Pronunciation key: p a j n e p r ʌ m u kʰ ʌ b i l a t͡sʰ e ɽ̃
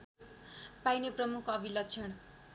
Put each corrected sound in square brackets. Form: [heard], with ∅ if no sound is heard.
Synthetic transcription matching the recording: p a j n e p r ʌ m u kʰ ʌ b i l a t͡sʰ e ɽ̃